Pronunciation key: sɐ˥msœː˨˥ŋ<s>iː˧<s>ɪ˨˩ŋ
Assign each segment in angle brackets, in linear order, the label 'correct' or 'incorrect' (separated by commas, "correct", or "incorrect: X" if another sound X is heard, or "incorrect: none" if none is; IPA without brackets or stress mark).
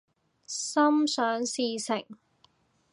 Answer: correct, correct